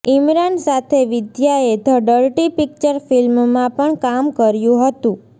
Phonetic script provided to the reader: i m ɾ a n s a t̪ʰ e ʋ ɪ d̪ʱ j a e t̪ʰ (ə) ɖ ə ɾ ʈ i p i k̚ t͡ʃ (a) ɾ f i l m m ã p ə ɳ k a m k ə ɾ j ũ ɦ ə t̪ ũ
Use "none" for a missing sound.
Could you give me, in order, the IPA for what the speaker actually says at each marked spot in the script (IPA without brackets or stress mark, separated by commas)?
ə, ə